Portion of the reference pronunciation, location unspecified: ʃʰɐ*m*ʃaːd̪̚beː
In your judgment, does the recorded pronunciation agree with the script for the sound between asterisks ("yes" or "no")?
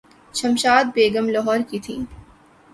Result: yes